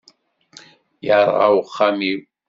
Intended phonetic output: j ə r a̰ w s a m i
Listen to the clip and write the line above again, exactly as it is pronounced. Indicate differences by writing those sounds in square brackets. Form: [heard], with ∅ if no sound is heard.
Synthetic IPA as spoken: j [a] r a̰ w [χ] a m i